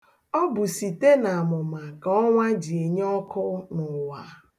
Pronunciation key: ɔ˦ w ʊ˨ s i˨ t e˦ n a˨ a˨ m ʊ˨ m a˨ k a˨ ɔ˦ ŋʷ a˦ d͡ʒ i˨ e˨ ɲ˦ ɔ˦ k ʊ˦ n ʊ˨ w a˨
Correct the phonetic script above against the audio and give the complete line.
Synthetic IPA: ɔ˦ b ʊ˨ s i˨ t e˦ n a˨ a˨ m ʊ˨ m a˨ k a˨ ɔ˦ ŋʷ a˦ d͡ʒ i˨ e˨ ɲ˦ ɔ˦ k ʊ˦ n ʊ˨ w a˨